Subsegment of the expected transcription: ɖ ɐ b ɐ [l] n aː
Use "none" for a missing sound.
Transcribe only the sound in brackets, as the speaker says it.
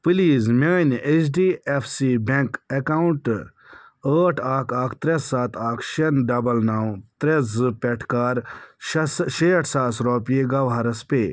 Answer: l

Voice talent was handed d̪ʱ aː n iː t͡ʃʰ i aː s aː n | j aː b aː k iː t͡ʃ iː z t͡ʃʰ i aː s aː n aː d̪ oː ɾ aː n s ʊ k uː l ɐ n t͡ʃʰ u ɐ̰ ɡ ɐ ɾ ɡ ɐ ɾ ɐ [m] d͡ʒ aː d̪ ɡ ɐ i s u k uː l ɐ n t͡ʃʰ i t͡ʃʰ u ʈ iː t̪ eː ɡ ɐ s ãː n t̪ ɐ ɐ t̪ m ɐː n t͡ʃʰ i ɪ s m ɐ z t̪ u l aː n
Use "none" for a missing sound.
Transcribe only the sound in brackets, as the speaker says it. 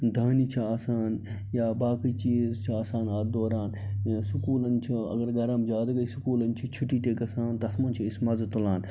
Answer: m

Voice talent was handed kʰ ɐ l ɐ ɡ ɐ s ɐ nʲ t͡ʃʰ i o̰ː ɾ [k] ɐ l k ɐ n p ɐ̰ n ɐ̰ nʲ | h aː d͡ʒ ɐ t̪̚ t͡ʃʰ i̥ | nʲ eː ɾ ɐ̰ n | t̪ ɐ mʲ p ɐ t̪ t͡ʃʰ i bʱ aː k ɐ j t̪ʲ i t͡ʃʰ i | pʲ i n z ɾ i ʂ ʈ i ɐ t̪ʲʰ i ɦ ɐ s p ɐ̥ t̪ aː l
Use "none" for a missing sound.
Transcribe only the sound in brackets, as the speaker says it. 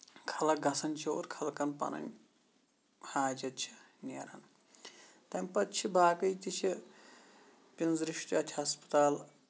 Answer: kʰ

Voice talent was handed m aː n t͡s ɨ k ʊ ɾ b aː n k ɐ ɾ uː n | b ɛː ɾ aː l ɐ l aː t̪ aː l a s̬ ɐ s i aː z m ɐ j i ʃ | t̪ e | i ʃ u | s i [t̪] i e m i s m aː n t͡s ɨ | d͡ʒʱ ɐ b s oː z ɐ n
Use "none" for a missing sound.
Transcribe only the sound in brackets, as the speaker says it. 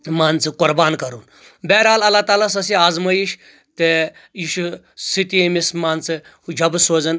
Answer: t̪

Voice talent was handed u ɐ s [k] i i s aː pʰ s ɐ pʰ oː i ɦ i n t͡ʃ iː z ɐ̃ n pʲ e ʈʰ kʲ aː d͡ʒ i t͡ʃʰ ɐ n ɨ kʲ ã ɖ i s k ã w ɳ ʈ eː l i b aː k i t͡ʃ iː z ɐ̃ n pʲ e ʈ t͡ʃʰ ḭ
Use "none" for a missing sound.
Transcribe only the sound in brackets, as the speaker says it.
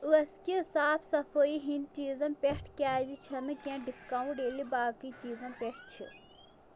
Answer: k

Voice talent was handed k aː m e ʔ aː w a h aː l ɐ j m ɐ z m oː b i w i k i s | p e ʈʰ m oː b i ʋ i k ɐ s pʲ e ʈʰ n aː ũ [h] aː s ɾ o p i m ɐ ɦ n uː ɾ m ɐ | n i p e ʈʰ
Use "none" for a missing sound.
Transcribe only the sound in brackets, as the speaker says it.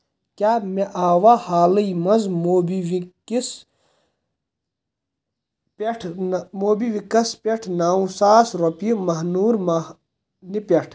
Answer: s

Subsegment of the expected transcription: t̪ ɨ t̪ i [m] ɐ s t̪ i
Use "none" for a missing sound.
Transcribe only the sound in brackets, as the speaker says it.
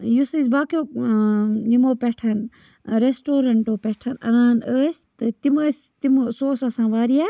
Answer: m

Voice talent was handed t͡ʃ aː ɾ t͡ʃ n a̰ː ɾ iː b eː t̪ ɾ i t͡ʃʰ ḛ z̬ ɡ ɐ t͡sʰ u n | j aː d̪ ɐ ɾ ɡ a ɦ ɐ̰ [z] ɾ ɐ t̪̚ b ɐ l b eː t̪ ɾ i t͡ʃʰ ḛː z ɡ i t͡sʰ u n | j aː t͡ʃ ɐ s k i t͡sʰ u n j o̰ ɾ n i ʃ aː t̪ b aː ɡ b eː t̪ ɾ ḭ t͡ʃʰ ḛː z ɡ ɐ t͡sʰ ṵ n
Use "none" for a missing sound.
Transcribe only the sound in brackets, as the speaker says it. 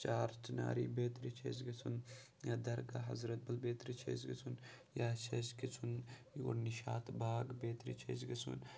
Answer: z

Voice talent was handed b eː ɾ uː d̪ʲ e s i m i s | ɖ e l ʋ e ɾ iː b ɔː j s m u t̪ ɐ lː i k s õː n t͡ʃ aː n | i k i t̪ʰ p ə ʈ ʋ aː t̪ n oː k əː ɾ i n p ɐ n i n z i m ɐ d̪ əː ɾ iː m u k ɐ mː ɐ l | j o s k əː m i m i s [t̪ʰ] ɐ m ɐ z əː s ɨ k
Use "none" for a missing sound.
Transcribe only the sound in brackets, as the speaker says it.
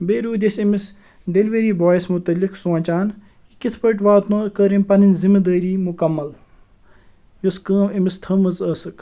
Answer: t̪ʰ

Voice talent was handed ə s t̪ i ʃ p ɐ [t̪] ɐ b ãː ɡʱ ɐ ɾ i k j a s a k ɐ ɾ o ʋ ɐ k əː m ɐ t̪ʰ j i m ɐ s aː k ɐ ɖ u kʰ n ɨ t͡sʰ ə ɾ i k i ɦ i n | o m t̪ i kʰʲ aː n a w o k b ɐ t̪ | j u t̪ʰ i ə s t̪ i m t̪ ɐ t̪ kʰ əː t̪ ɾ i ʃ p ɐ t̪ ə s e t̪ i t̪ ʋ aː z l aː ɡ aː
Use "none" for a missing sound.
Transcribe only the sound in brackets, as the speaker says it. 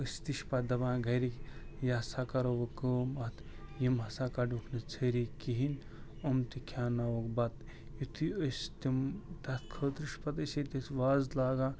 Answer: d̪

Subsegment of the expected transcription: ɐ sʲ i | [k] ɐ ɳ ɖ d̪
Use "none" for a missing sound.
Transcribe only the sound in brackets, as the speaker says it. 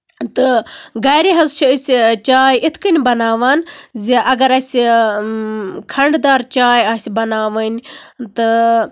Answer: kʰ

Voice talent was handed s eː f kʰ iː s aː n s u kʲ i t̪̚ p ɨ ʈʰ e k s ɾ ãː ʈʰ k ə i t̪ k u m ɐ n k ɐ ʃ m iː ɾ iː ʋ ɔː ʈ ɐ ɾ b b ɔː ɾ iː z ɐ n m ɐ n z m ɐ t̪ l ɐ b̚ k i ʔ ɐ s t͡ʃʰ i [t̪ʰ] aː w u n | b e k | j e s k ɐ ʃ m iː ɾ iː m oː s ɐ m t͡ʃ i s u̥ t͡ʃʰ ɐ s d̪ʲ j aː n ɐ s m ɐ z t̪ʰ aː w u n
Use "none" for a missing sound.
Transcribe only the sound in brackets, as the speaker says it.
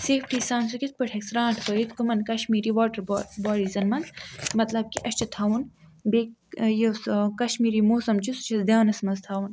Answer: t̪ʰ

